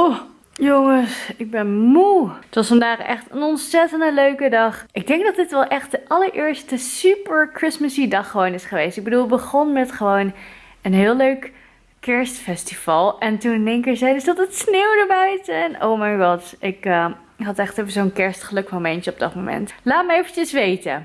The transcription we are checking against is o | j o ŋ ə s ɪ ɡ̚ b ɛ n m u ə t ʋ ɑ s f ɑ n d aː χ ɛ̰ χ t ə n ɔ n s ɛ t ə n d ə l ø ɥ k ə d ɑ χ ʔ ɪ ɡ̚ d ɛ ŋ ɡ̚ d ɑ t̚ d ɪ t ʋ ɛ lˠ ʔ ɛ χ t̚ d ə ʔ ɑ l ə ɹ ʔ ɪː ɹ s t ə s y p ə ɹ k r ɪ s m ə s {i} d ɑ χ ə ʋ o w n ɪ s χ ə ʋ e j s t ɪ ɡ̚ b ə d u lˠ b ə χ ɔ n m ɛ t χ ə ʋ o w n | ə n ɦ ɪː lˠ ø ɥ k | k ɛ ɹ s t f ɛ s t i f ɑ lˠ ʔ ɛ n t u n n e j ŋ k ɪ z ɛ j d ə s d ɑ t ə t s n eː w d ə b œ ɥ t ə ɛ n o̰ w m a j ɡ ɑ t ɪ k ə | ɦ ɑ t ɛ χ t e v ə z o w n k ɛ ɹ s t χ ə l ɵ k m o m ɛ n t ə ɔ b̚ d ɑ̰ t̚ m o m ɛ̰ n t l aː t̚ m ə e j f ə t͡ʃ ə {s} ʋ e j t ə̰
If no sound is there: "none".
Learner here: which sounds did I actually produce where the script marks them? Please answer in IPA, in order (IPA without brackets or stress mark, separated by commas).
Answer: i, s